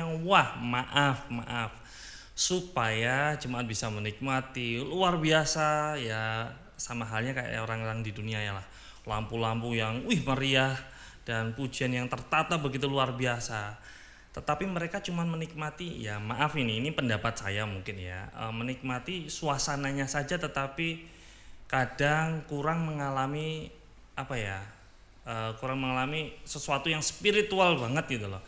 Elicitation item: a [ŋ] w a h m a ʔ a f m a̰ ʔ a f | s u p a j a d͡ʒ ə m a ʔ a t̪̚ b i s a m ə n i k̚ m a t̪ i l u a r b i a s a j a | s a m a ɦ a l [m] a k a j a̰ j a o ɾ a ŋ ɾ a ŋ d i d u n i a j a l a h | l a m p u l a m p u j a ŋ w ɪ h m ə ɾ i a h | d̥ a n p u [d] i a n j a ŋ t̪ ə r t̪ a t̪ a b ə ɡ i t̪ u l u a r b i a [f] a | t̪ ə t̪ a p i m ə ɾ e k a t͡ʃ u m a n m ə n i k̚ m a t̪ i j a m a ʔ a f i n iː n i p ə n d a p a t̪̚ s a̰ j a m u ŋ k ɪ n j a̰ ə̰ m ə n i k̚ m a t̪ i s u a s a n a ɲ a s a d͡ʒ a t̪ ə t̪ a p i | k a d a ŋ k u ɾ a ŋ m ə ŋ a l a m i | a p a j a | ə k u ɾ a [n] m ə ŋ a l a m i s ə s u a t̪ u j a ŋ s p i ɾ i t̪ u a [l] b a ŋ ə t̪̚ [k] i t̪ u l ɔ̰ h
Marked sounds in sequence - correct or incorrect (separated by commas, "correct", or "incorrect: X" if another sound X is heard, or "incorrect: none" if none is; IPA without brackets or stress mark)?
correct, incorrect: ɲ, incorrect: d͡ʒ, incorrect: s, incorrect: ŋ, correct, incorrect: ɡ